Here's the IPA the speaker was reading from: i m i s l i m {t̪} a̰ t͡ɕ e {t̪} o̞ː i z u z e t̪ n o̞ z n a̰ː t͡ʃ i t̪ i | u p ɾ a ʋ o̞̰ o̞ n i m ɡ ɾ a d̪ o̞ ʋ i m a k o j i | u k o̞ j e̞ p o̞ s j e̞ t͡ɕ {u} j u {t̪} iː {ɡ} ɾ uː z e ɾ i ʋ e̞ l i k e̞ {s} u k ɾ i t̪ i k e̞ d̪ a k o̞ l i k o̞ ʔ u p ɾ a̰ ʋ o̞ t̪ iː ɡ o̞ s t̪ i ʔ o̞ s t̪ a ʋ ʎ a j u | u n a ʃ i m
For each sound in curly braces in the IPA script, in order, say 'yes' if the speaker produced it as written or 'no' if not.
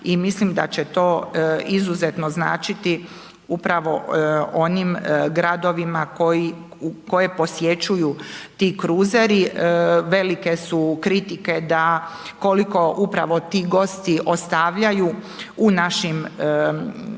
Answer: no, yes, yes, yes, no, yes

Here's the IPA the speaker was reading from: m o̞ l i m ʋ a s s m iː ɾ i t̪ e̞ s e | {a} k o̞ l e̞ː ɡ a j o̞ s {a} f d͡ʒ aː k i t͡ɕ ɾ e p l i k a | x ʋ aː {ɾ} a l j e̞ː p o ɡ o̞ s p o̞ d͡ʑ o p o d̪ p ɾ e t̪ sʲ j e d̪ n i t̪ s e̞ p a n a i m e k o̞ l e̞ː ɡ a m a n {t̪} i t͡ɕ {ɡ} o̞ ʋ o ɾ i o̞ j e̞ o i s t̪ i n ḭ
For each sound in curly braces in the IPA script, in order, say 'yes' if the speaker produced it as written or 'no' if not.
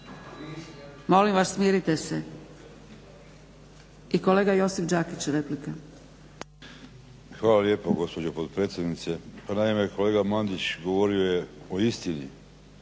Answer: no, no, no, no, yes

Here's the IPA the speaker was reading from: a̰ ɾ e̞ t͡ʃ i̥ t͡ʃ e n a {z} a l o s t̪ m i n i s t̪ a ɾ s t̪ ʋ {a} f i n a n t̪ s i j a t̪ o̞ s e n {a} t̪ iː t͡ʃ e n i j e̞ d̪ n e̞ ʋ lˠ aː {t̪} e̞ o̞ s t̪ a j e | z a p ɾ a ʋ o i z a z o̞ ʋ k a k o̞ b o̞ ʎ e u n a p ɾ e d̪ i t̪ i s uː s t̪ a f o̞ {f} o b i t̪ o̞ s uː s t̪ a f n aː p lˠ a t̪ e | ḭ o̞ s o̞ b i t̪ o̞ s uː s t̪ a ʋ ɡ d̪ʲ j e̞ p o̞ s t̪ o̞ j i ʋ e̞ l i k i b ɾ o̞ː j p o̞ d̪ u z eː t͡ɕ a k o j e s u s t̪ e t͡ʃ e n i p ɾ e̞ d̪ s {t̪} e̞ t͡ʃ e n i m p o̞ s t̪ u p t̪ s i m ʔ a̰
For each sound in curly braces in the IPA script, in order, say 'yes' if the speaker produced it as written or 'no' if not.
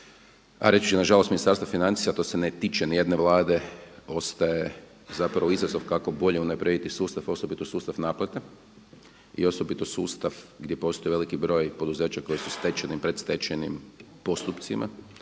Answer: no, yes, no, no, no, yes

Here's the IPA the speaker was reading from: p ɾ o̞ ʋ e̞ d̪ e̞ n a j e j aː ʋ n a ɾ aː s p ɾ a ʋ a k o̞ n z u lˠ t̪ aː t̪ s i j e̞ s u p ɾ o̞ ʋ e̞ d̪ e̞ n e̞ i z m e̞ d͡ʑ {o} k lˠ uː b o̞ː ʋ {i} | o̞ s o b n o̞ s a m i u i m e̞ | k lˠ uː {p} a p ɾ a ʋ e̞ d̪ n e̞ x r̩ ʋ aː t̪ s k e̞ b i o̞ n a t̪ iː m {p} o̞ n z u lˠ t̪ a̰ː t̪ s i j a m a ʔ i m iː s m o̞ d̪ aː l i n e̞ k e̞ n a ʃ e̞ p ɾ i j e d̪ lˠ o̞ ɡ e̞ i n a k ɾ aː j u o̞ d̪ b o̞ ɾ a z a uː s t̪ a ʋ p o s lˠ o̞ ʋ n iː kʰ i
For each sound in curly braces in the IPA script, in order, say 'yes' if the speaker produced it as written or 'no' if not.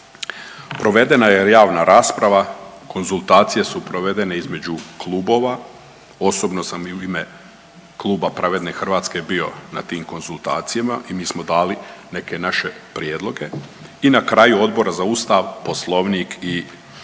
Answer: no, no, no, no

